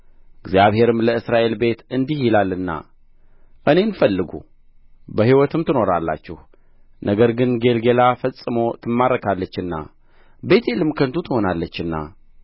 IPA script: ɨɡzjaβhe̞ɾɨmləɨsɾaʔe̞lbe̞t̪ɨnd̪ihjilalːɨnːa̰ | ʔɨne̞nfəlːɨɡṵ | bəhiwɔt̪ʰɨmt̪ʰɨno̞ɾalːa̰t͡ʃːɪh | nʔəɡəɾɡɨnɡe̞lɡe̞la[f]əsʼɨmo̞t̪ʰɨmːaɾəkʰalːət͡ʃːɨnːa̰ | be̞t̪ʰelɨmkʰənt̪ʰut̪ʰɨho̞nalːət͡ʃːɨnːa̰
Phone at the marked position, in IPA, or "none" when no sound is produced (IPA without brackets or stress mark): f